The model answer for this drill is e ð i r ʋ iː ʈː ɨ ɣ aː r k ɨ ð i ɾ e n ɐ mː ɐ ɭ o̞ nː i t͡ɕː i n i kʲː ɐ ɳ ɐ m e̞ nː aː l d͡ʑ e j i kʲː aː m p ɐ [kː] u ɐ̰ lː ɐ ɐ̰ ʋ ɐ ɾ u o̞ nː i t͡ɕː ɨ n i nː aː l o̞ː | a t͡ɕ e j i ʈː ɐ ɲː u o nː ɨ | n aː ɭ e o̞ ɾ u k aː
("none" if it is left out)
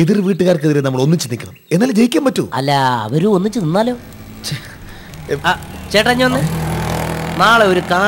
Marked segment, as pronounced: tː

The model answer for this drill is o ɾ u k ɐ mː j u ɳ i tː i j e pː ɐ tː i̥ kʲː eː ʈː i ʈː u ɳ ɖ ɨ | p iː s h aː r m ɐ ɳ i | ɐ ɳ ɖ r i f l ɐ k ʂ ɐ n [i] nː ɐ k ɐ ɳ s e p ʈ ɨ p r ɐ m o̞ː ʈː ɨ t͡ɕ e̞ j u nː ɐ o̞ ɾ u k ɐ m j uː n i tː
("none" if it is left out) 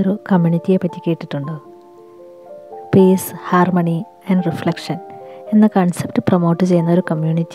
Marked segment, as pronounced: e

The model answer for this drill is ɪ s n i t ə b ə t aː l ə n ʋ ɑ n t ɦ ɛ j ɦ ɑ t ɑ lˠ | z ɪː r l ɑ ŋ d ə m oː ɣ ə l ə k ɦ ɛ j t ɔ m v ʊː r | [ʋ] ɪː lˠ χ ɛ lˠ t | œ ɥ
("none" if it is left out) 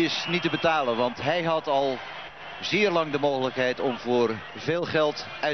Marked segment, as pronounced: v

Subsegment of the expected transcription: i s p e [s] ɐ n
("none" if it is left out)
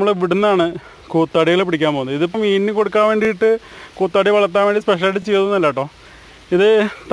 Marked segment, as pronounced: ʂ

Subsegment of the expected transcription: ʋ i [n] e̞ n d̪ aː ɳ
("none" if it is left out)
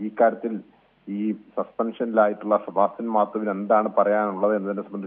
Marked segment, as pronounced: n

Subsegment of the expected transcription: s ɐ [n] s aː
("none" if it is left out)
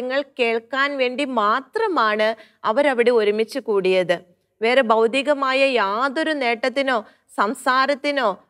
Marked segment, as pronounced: m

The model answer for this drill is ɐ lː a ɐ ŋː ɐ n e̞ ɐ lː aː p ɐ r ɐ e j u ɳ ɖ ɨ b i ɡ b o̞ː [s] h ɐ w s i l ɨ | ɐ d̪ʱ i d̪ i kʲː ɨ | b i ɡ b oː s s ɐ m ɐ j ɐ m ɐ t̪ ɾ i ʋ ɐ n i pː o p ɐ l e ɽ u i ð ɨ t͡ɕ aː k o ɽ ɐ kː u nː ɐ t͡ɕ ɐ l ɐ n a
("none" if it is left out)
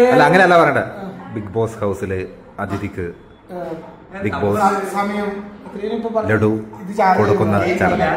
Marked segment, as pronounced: s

